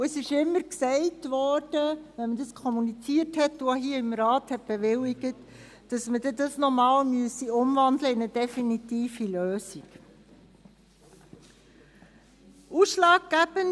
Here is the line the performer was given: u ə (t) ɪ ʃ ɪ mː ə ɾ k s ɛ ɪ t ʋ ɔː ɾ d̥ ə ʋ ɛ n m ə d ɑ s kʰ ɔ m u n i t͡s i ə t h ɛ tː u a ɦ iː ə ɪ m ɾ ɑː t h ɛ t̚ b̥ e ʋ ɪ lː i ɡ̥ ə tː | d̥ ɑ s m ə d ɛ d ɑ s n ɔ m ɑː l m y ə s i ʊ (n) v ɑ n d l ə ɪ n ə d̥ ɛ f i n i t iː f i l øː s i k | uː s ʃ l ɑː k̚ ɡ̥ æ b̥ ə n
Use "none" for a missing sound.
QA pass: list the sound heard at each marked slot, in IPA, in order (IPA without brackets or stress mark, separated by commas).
s, m